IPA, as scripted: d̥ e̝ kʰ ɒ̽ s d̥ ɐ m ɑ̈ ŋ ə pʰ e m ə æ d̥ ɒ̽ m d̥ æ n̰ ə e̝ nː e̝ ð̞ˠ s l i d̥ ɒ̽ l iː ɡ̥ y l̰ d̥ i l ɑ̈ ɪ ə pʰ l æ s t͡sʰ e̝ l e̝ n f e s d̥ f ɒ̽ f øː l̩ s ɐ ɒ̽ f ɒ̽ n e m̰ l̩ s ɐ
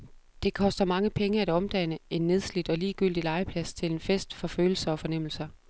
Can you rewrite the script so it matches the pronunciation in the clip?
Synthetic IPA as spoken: d̥ e̝ kʰ ɒ̽ s d̥ ɐ m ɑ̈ ŋ ə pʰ e ŋ ə æ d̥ ɒ̽ m d̥ æ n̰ ə e̝ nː e̝ ð̞ˠ s l i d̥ ɒ̽ l iː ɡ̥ y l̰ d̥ i l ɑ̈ ɪ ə pʰ l æ s t͡sʰ e̝ l e̝ n f e s d̥ f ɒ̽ f øː l̩ s ɐ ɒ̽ f ɒ̽ n e m̰ l̩ s ɐ